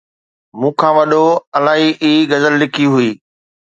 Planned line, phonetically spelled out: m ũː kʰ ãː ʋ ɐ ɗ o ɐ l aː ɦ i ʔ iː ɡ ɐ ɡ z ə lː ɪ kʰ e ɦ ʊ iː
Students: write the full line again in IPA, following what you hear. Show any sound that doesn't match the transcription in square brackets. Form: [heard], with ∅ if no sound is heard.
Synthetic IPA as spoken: m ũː kʰ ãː ʋ ɐ ɗ o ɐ l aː ɦ i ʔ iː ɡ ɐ [∅] z ə lː ɪ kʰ [i] ɦ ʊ iː